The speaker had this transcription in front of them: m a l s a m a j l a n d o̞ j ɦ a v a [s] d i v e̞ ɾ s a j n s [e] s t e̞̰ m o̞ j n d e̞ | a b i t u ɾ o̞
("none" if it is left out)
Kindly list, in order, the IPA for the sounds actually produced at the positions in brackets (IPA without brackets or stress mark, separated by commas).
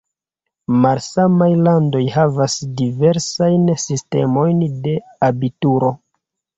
s, i